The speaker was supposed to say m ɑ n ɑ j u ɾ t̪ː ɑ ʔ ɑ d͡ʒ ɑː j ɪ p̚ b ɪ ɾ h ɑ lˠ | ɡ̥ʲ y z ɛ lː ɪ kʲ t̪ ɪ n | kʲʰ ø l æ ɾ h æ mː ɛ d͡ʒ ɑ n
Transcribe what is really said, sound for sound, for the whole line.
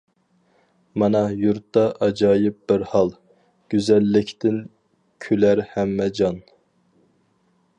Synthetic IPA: m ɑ n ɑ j u ɾ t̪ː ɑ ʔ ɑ d͡ʒ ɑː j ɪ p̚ b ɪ ɾ h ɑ lˠ | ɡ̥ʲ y z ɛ lː ɪ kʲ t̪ ɪ n | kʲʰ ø l æ ɾ h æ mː ɛ d͡ʒ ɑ n